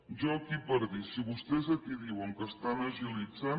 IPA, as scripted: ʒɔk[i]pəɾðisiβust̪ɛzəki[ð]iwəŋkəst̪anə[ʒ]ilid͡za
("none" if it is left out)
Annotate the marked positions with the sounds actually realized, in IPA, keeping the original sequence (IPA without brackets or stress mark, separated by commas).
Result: i, ð, ʒ